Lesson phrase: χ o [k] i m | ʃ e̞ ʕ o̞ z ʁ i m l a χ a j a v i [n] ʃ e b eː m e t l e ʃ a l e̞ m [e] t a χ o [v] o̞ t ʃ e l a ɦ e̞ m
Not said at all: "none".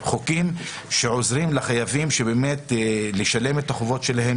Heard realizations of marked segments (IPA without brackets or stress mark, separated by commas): k, m, e, v